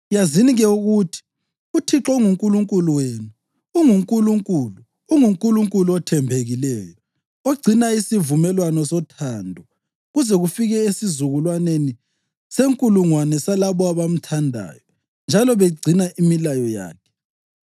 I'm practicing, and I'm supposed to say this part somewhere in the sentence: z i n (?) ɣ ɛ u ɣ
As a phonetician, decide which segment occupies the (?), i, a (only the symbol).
i